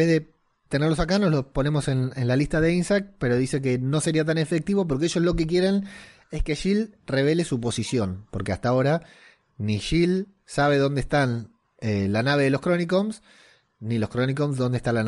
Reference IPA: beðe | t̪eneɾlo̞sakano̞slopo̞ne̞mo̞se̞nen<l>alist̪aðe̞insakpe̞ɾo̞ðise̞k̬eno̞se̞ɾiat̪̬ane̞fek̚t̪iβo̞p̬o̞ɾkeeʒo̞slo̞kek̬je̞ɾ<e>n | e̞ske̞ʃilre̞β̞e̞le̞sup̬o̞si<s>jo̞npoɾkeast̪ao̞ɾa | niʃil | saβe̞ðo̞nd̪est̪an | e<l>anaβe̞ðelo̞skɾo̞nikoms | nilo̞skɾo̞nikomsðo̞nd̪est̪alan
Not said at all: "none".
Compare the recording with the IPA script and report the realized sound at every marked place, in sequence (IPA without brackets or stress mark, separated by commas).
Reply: l, e, s, l